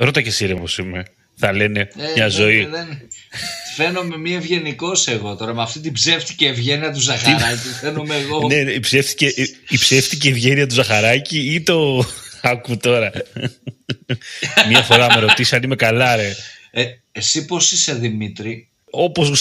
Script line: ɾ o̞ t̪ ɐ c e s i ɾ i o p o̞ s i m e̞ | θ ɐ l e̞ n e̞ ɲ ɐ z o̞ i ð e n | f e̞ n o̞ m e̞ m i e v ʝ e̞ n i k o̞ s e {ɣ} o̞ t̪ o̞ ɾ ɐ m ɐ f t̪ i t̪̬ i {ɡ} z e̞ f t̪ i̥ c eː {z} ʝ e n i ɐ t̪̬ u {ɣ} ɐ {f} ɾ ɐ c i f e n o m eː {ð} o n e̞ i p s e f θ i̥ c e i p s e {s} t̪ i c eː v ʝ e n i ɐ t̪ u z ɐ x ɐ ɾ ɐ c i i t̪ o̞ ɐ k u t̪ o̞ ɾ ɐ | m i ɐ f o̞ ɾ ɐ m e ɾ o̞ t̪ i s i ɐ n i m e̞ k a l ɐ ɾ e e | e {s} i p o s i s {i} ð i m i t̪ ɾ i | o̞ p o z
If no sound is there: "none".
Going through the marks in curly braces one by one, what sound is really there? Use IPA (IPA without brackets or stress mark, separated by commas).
ɣ, b, v, z, x, ɣ, f, s, e